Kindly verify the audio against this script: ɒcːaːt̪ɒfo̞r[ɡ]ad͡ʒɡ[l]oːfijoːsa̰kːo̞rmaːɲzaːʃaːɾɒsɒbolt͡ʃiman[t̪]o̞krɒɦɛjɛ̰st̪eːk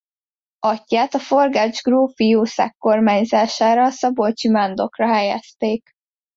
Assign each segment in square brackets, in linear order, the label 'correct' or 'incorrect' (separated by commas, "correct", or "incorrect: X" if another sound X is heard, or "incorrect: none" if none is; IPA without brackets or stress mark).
correct, incorrect: r, incorrect: d̪